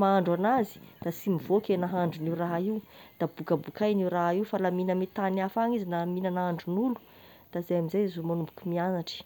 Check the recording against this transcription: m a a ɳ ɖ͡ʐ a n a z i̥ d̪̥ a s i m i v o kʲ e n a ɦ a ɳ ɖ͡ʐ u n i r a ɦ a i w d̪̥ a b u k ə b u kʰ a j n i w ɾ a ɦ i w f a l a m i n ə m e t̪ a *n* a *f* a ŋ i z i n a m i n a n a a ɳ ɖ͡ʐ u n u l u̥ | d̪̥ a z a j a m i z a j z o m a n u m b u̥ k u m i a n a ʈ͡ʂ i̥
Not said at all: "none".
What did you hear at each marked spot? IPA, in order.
n, f

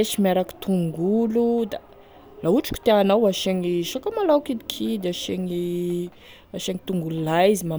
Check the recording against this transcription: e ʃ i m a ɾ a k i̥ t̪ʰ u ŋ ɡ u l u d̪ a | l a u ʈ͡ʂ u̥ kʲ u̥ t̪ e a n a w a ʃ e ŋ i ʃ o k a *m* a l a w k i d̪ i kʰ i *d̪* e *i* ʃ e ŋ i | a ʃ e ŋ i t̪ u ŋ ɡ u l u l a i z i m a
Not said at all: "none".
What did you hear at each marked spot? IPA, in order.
m, d̪, a

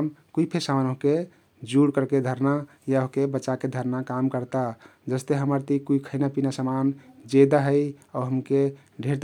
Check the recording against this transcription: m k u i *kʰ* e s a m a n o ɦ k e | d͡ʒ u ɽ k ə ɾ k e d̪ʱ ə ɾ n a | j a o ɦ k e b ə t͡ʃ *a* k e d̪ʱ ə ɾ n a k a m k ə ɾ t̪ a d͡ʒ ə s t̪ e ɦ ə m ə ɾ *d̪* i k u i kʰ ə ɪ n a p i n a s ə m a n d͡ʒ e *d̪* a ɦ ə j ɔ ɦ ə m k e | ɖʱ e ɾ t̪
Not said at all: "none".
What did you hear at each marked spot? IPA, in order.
pʰ, a, t̪, d̪

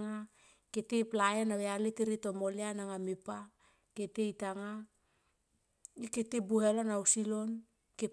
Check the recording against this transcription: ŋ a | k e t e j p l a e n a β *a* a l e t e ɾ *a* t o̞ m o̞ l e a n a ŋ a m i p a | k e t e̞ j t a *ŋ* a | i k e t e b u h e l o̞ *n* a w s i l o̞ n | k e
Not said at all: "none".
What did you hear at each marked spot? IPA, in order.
e, i, ŋ, n

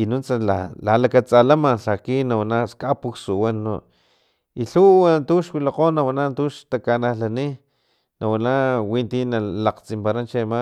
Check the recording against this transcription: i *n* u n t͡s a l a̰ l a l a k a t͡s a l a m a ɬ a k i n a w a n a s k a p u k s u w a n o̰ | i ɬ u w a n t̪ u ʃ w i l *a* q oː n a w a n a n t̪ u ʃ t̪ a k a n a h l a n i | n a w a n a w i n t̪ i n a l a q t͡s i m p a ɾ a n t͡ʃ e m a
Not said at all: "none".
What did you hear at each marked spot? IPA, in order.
n, a

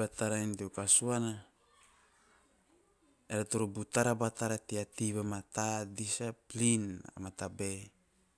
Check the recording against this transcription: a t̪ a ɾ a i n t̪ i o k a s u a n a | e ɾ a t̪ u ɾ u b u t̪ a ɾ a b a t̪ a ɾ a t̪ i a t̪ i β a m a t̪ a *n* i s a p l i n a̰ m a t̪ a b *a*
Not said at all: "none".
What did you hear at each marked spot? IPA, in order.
d, e

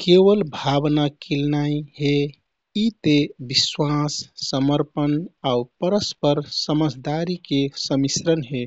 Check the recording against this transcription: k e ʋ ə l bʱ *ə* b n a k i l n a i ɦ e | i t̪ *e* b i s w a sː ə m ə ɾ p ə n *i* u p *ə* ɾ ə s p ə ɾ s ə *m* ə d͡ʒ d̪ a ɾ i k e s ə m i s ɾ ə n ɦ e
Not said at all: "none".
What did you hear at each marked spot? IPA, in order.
a, e, a, ə, m

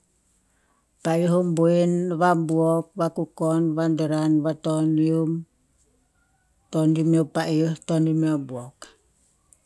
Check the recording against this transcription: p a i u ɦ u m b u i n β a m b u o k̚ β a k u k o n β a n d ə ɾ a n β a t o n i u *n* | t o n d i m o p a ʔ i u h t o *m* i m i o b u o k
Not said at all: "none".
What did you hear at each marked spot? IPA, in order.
m, n

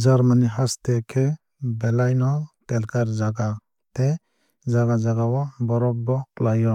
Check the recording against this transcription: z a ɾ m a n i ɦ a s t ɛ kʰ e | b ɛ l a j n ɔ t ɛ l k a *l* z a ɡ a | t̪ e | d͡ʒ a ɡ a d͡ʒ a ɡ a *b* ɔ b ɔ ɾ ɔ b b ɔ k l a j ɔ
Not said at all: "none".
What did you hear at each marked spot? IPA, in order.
ɾ, w

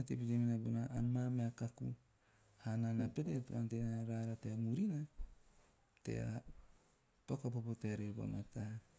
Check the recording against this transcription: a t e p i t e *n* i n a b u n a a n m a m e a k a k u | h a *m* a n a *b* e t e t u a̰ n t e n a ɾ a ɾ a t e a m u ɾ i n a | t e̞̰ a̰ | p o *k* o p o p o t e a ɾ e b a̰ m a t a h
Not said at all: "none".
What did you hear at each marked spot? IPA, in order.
m, n, p, k

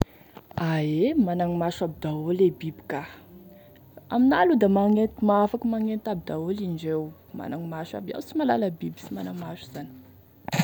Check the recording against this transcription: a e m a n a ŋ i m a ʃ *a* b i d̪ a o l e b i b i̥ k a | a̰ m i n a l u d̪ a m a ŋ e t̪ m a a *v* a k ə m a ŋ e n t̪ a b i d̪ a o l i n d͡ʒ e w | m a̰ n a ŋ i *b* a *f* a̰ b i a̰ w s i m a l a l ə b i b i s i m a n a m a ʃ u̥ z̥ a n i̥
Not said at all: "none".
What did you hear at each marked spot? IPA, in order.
a, f, m, ʃ

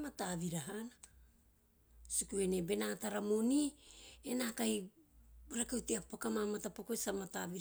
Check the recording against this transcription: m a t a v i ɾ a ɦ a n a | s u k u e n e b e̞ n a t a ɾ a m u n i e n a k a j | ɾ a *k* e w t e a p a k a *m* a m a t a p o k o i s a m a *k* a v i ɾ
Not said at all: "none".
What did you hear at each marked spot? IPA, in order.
k, m, t

